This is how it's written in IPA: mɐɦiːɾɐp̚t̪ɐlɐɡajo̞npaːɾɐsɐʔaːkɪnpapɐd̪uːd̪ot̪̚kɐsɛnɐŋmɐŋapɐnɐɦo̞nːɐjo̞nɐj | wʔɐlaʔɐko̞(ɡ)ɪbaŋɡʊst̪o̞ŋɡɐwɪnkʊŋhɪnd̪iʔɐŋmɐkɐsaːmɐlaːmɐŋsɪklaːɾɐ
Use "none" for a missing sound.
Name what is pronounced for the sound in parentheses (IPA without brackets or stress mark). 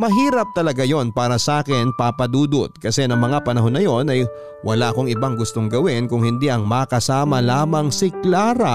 ŋ